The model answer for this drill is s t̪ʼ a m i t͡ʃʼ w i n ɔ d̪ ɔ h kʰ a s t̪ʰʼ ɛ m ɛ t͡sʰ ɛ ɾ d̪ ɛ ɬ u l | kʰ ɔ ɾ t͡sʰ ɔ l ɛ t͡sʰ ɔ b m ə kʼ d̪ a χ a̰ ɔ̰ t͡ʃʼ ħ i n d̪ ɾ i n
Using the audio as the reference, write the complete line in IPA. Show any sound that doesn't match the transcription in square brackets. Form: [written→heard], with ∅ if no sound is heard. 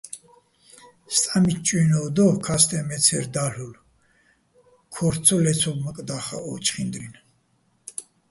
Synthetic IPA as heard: s t̪ʼ a m i t͡ʃʼ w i n ɔ d̪ ɔ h kʰ a s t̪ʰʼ ɛ m ɛ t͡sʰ ɛ ɾ d̪ [ɛ→a] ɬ u l | kʰ ɔ ɾ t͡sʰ ɔ l ɛ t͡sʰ ɔ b m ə kʼ d̪ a χ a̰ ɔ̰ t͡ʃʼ [ħ→χ] i n d̪ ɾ i n